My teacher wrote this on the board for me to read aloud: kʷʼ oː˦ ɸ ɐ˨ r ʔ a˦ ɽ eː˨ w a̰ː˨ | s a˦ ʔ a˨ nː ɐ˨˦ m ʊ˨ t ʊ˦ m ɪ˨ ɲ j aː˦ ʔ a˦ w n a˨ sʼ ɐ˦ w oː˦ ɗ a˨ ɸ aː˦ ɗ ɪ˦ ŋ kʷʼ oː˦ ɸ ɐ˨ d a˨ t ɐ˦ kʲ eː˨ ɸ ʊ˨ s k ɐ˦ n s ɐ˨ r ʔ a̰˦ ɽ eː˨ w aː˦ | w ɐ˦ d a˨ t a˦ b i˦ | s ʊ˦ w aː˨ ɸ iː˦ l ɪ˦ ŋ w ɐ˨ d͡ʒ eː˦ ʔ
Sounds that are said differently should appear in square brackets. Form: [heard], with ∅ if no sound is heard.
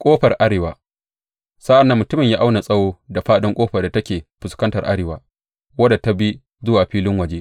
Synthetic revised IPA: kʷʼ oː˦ ɸ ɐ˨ r ʔ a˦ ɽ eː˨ w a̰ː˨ | s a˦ ʔ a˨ nː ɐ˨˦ m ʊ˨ t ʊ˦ m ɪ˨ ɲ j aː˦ ʔ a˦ w n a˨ sʼ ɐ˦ w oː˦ [d] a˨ ɸ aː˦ ɗ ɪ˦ ŋ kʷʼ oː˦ ɸ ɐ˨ d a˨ t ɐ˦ kʲ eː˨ ɸ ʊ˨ s k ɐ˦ n [t] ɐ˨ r ʔ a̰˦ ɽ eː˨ w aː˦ | w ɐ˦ d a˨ t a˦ b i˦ | [z] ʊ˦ w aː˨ ɸ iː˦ l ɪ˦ ŋ w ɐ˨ d͡ʒ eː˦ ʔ

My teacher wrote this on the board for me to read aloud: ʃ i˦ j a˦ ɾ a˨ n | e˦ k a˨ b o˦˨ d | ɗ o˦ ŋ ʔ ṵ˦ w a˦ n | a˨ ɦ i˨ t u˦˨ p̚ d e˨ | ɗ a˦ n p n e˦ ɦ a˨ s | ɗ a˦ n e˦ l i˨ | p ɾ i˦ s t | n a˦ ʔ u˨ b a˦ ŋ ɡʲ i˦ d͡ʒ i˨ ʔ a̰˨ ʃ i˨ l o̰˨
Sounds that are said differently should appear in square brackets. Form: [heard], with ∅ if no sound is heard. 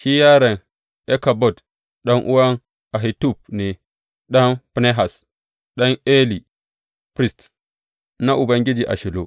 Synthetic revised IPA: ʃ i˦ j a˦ ɾ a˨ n | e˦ k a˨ b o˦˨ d | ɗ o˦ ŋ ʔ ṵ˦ w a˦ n | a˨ ɦ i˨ t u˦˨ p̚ [n] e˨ | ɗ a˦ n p n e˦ ɦ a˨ s | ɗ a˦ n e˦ l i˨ | p ɾ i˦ s t | n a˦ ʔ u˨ b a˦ ŋ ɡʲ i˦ d͡ʒ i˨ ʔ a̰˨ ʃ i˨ l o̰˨

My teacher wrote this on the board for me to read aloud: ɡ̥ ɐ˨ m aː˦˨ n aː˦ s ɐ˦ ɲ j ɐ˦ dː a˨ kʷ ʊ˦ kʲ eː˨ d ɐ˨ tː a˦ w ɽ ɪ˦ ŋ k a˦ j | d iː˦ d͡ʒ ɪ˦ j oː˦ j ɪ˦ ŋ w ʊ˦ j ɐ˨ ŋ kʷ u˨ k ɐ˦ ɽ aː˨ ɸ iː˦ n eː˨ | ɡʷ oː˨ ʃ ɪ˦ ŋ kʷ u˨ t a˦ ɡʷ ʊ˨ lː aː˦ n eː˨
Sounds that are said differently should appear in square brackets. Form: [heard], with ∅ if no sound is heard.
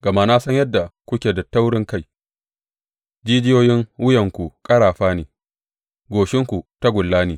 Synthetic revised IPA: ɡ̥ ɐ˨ m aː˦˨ n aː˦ s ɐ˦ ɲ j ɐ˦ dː a˨ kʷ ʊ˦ kʲ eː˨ d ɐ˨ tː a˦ w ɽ ɪ˦ ŋ k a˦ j | [d͡ʒ] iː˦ d͡ʒ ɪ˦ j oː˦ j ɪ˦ ŋ w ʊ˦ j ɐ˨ ŋ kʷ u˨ [kʼ] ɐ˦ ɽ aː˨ ɸ [aː˦] n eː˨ | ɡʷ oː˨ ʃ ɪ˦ ŋ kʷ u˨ t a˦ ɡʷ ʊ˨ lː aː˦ n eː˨

